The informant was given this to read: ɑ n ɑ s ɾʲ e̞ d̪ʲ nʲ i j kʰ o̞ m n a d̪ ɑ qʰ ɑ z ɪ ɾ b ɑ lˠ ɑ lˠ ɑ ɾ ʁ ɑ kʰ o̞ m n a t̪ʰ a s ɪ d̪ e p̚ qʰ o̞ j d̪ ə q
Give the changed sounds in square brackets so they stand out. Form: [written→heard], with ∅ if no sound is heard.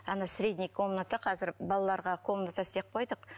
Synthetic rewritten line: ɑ n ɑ s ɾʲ e̞ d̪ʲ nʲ i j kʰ o̞ m n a [d̪→t̪] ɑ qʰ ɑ z ɪ ɾ b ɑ lˠ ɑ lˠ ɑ ɾ ʁ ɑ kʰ o̞ m n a [t̪ʰ→t̪] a s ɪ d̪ e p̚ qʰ o̞ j d̪ ə q

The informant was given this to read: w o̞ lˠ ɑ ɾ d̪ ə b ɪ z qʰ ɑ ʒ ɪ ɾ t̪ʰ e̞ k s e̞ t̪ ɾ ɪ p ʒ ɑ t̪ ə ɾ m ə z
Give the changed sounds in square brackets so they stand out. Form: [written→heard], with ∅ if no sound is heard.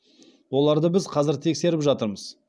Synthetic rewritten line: w o̞ lˠ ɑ ɾ d̪ ə b ɪ z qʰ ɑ [ʒ→z] ɪ ɾ t̪ʰ e̞ k s e̞ [t̪→∅] ɾ ɪ p ʒ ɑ t̪ ə ɾ m ə z

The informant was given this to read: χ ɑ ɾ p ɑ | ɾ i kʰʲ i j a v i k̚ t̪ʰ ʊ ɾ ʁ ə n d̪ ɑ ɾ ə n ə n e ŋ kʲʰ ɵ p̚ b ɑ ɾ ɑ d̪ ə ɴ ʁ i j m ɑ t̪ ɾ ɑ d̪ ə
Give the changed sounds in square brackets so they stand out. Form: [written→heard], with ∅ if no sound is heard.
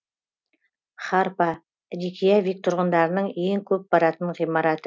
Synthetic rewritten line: χ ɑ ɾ p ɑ | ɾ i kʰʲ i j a v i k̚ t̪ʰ ʊ ɾ ʁ ə n d̪ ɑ ɾ ə n ə [n→ɴ] e ŋ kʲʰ ɵ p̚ b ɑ ɾ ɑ [d̪→t̪] ə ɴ ʁ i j m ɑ [t̪→∅] ɾ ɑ [d̪→t̪] ə

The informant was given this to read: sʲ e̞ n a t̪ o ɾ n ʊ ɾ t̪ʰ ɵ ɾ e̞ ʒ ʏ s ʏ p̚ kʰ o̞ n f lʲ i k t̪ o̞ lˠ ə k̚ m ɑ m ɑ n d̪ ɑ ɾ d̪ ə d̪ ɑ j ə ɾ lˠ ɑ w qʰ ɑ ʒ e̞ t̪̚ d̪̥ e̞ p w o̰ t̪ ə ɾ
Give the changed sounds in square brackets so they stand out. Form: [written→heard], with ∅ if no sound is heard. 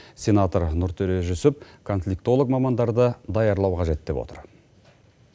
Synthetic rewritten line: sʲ e̞ n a t̪ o ɾ n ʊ ɾ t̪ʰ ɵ ɾ e̞ ʒ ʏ s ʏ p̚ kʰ o̞ n f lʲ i k t̪ o̞ lˠ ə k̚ m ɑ m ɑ n d̪ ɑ ɾ d̪ ə d̪ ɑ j [ə→ɑ] ɾ lˠ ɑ w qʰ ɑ ʒ e̞ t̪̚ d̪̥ e̞ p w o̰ t̪ ə ɾ

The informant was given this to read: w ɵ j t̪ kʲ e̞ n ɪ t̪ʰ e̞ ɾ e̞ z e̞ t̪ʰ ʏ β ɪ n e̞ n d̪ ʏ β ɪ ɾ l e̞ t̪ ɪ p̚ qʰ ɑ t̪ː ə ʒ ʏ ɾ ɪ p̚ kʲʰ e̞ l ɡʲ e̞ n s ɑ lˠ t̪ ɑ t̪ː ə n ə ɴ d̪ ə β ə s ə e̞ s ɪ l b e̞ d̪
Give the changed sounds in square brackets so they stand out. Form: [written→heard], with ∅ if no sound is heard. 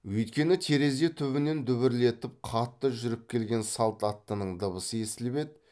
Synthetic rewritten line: w ɵ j t̪ kʲ e̞ n ɪ t̪ʰ e̞ ɾ e̞ z e̞ t̪ʰ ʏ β ɪ n e̞ n d̪ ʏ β ɪ ɾ l e̞ t̪ ɪ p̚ qʰ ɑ t̪ː ə ʒ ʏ ɾ ɪ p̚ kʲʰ e̞ l ɡʲ e̞ n s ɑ lˠ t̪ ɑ t̪ː ə n ə ɴ d̪ ə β ə s ə e̞ s ɪ l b e̞ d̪

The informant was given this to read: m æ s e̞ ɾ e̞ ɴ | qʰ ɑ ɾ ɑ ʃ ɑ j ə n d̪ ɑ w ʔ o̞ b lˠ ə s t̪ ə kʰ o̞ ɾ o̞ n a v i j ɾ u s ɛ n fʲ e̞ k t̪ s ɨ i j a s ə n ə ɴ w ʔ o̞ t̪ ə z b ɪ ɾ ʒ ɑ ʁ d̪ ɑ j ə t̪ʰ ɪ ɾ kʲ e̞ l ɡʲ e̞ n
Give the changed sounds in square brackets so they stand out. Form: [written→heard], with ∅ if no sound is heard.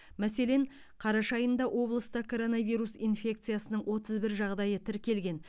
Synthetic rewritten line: m æ s e̞ [ɾ→l] e̞ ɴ | qʰ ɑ ɾ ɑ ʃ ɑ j ə n d̪ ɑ w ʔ o̞ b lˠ ə s t̪ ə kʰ o̞ ɾ o̞ n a v i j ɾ u s [ɛ→i] n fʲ e̞ k t̪ s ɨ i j a s ə n ə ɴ w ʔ o̞ t̪ ə z b ɪ ɾ ʒ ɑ ʁ d̪ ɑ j ə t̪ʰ ɪ ɾ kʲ e̞ l ɡʲ e̞ n

